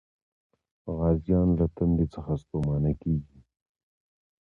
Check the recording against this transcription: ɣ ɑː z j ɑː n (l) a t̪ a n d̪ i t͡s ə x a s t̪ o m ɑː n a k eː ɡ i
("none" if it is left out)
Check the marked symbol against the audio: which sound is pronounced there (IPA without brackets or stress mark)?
l